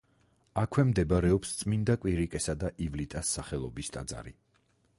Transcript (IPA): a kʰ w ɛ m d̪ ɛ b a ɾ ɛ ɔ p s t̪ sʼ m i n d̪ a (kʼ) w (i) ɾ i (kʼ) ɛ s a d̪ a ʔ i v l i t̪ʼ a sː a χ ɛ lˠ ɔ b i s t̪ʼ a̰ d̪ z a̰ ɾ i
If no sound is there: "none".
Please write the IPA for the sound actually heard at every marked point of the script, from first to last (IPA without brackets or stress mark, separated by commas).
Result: kʼ, i, kʼ